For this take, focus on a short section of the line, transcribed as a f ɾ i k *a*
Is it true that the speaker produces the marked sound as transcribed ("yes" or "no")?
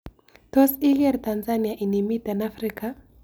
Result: yes